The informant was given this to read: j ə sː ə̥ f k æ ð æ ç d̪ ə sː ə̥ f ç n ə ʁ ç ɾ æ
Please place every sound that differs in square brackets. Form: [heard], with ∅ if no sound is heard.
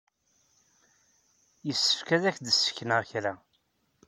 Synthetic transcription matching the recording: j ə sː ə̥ f k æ ð æ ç d̪ ə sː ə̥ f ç n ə ʁ ç ɾ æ